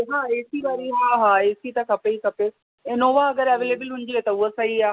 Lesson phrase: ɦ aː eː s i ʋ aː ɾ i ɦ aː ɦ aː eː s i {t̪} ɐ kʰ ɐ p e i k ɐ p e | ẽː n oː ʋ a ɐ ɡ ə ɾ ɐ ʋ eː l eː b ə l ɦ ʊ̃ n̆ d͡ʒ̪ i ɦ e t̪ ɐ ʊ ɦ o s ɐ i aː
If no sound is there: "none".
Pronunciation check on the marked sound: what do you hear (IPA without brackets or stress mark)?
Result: t̪